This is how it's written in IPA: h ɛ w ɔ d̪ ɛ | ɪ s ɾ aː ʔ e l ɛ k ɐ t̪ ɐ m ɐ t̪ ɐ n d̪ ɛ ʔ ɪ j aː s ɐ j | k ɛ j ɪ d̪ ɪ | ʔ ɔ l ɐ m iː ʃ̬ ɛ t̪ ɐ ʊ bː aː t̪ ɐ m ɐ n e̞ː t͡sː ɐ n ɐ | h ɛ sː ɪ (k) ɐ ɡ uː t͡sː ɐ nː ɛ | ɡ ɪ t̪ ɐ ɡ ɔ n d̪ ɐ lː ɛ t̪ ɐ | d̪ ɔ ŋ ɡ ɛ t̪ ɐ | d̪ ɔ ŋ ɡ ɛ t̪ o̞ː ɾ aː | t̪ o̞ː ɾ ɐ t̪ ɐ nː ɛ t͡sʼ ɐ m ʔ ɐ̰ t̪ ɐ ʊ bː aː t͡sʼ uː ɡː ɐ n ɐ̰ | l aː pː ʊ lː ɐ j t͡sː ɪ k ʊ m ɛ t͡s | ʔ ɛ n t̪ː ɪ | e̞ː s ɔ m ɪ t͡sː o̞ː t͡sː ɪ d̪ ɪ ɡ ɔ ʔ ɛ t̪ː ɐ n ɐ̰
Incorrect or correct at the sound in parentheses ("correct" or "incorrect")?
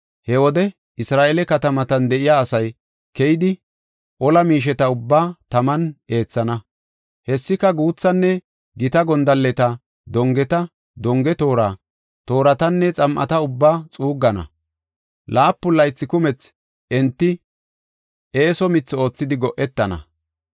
correct